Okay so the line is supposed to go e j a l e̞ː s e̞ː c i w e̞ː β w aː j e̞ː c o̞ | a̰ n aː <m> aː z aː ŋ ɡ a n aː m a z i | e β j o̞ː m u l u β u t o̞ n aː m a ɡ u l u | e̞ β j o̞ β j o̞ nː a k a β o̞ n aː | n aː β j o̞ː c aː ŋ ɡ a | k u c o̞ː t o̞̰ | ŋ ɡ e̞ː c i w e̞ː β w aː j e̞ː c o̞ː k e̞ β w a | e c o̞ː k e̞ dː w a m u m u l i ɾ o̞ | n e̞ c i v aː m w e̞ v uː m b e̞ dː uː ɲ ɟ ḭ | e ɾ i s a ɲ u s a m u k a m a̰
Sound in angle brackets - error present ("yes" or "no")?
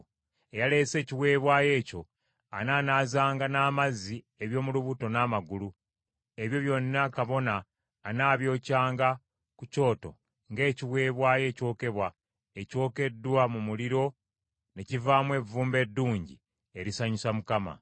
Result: yes